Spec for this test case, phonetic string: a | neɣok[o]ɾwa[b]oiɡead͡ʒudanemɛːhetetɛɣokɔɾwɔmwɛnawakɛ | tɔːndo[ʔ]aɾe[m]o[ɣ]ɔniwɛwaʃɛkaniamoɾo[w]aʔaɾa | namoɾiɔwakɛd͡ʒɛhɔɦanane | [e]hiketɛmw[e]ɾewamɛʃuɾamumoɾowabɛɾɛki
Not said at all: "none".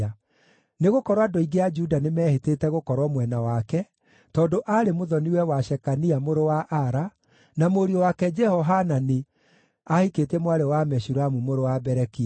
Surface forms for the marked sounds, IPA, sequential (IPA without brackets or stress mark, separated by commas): ɔ, d, ʔ, m, ð, w, a, a